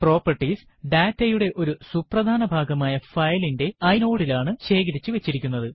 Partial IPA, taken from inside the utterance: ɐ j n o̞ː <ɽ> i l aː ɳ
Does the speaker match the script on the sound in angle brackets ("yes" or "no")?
yes